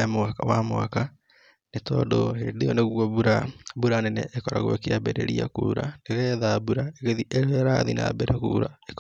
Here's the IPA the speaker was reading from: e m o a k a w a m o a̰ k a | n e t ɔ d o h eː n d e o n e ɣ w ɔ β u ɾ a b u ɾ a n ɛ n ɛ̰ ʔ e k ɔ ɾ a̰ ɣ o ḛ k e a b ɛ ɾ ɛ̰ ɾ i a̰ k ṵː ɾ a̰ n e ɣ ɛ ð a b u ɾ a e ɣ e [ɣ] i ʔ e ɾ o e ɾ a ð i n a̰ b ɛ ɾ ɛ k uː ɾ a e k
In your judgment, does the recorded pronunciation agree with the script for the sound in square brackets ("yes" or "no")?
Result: no